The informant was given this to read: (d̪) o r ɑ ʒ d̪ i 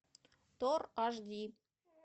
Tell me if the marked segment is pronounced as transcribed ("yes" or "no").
no